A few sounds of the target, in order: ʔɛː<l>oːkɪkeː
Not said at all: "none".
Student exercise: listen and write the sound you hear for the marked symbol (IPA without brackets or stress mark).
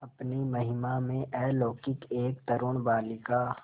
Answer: l